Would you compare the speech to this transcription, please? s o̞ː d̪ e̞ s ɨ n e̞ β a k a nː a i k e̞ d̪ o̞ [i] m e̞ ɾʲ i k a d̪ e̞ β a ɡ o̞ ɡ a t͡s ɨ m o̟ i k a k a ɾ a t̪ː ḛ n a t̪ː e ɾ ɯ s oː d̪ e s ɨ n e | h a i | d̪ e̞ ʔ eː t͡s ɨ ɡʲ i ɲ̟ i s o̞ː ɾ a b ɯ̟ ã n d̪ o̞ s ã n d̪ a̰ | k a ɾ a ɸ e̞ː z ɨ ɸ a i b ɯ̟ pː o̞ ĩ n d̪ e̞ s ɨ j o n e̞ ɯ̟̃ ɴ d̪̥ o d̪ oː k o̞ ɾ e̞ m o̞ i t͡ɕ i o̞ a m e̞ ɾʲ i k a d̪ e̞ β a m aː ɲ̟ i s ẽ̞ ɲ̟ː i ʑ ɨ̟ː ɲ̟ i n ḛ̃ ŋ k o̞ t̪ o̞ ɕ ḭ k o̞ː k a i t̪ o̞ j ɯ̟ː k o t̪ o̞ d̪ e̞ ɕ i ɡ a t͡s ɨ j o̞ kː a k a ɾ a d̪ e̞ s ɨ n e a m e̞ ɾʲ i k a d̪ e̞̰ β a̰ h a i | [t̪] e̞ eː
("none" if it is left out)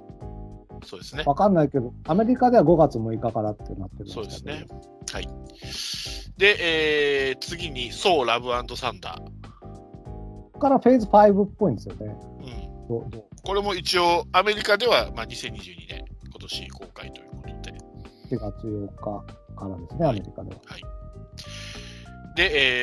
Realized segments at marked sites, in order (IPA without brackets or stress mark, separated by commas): a, d̪